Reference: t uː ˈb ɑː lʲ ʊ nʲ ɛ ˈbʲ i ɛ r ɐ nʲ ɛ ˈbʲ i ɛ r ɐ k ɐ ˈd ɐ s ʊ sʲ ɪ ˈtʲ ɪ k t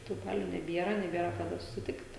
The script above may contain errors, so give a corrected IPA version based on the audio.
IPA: t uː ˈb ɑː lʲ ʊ nʲ ɛ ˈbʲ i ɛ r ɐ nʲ ɛ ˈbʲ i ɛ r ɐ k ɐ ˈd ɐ s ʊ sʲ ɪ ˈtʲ ɪ k t

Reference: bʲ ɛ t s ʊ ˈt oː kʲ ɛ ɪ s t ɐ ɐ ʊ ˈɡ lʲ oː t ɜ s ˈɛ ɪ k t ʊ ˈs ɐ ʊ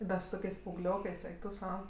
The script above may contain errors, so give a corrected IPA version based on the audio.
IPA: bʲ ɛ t s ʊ ˈt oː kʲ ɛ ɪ s p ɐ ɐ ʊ ˈɡ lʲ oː k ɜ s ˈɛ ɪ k t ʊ ˈs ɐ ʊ

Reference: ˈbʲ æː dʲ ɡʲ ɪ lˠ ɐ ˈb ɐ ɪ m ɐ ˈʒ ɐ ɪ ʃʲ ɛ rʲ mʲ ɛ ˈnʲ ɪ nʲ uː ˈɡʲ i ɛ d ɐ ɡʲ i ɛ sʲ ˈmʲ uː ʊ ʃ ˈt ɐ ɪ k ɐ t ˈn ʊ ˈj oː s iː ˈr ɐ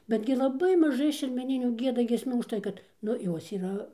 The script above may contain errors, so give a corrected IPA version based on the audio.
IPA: ˈbʲ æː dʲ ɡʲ ɪ lˠ ɐ ˈb ɐ ɪ m ɐ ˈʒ ɐ ɪ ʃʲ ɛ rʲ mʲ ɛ ˈnʲ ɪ nʲ uː ˈɡʲ i ɛ d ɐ ɡʲ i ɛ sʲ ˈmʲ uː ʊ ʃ ˈt ɐ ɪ k ɐ t ˈn ʊ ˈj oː s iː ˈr ɐ

